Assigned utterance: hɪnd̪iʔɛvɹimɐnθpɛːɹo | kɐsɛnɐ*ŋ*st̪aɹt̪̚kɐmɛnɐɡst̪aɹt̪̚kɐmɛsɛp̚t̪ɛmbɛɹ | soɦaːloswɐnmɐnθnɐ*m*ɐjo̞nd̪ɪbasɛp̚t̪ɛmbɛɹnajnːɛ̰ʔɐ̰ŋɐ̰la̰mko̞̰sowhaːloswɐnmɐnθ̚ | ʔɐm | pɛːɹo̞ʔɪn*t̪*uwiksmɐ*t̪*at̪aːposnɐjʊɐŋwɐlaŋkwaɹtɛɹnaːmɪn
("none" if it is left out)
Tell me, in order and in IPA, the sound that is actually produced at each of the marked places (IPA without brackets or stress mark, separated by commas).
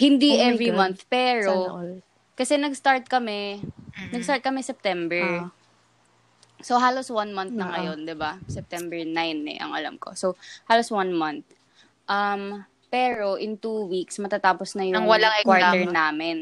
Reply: ɡ, ŋ, t̪, t̪